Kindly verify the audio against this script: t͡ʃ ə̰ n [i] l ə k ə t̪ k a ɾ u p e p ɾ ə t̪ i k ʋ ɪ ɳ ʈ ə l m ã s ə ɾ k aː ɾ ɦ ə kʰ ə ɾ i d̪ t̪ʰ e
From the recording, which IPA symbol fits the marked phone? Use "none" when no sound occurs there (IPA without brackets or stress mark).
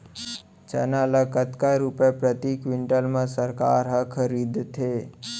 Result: a